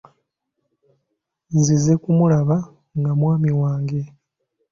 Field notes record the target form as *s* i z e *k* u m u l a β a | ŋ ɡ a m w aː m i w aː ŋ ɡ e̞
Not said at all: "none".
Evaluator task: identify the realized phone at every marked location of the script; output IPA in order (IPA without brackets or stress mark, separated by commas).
z, k